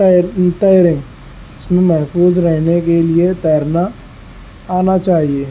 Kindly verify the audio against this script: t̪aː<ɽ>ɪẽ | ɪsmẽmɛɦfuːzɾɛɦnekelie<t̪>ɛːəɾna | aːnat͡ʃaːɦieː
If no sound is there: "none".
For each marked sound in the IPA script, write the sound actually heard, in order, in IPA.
ɾ, t̪

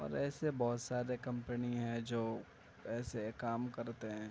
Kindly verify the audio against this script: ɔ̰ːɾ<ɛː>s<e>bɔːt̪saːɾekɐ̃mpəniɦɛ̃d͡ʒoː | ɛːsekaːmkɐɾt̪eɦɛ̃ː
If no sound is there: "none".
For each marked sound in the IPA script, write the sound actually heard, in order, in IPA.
ɛː, e

